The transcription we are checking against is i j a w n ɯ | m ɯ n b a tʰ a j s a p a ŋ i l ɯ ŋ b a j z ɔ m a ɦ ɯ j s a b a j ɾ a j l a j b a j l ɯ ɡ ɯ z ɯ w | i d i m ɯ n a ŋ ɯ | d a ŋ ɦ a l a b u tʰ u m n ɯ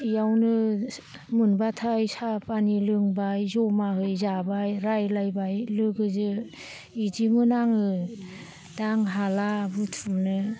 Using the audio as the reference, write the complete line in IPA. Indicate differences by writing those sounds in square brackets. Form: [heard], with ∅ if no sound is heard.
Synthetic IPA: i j a w n ɯ | m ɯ n b a tʰ a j s a p a [n] i l ɯ ŋ b a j z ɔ m a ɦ ɯ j [z] a b a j ɾ a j l a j b a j l ɯ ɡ ɯ z ɯ [∅] | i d i m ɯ n a ŋ ɯ | d a ŋ ɦ a l a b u tʰ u m n ɯ